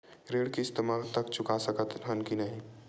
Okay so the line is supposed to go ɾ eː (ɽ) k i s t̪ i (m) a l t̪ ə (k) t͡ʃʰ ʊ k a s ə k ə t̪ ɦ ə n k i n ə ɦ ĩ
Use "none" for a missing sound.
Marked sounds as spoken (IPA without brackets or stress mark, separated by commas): ɽ, m, k